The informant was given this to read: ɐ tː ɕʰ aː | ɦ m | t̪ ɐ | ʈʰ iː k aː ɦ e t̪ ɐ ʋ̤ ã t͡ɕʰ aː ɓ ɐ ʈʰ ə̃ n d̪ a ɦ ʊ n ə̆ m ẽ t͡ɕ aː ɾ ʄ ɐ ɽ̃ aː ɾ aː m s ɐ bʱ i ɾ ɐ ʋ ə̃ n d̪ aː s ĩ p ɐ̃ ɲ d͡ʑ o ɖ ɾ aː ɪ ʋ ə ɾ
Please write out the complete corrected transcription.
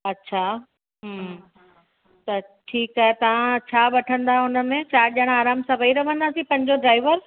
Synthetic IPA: ɐ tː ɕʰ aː | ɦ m | t̪ ɐ | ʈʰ iː k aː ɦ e t̪ ɐ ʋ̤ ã t͡ɕʰ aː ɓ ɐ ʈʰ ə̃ n d̪ a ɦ ʊ n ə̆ m ẽ t͡ɕ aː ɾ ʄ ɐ ɽ̃ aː ɾ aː m s ɐ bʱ i ɾ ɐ ʋ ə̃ n d̪ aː s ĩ p ɐ̃ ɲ d͡ʑ o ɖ ɾ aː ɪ ʋ ə ɾ